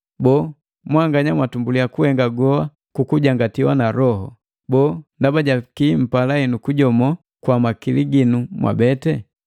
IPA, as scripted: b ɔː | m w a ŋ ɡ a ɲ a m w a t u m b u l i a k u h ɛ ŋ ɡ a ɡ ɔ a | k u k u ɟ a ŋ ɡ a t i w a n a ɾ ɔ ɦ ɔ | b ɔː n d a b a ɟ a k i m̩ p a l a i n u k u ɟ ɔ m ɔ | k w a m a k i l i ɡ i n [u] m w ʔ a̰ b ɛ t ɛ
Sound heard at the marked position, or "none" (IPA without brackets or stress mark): u